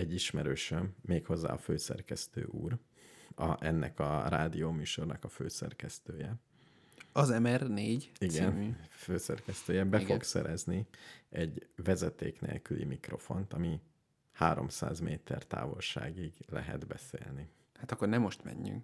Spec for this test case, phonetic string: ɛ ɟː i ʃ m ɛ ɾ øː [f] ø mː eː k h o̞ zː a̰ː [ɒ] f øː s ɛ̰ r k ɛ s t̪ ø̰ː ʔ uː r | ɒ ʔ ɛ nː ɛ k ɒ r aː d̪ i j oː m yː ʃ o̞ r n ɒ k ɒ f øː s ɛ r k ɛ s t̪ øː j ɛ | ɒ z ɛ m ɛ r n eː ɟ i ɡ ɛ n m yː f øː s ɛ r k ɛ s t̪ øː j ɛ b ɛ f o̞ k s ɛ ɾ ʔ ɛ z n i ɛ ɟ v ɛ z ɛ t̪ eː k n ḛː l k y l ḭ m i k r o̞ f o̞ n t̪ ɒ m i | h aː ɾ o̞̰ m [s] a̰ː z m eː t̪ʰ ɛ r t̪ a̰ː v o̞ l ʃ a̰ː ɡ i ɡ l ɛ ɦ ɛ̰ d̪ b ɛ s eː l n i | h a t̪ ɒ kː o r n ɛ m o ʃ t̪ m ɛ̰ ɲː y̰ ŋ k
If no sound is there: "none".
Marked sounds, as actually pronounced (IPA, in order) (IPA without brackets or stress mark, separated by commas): ʃ, ɒ, s